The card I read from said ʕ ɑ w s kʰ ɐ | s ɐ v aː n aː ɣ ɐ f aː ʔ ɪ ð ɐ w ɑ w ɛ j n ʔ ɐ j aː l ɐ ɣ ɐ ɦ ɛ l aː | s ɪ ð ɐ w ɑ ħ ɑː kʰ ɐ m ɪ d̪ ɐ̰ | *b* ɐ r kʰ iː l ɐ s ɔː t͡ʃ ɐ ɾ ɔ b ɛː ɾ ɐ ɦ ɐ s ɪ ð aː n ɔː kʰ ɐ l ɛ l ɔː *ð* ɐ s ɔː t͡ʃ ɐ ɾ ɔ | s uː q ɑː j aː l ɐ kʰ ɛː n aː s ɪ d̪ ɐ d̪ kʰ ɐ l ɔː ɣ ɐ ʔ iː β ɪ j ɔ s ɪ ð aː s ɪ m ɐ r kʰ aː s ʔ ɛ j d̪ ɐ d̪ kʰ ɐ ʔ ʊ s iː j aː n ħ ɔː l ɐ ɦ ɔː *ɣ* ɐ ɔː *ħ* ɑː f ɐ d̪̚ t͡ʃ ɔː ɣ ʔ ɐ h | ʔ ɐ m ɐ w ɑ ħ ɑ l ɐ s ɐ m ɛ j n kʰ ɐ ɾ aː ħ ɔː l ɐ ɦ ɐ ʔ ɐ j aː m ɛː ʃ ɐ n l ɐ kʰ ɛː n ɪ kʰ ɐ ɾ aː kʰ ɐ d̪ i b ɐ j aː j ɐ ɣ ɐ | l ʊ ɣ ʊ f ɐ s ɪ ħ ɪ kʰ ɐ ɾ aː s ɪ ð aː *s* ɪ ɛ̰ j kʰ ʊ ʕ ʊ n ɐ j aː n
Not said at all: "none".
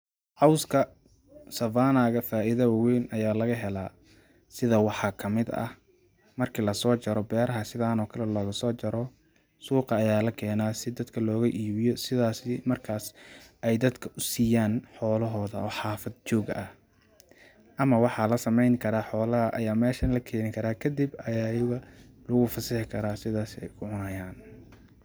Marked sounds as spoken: m, ɣ, ð, ħ, s

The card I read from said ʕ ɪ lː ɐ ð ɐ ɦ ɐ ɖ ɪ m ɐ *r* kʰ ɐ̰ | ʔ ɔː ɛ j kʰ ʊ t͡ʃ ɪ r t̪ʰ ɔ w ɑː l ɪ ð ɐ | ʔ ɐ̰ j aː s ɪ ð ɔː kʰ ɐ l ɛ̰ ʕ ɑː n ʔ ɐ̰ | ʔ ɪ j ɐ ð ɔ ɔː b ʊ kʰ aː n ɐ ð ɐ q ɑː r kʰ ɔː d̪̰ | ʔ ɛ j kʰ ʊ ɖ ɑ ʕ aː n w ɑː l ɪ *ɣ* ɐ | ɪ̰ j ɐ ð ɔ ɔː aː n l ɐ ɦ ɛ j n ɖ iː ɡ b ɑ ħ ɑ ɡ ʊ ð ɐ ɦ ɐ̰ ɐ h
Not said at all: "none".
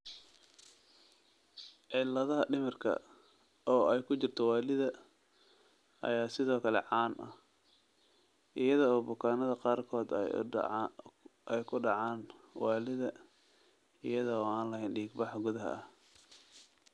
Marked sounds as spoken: r, ð

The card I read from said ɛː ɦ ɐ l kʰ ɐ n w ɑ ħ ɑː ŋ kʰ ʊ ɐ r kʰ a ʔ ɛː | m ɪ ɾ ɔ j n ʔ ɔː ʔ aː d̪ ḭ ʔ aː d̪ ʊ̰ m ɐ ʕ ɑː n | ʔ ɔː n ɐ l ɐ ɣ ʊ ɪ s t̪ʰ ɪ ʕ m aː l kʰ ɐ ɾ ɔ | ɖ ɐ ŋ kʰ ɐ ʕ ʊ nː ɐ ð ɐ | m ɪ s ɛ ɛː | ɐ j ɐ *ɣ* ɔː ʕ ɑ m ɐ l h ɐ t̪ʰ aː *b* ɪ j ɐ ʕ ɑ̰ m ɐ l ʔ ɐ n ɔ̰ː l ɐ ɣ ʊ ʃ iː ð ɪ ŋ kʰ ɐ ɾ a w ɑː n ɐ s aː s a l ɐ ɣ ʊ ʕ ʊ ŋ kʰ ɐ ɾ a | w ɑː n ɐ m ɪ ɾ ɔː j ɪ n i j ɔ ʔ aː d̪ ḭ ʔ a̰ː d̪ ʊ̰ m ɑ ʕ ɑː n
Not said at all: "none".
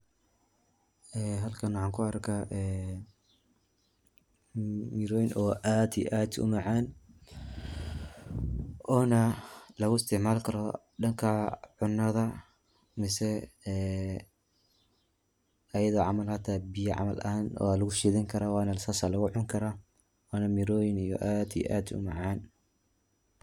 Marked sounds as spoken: ð, b

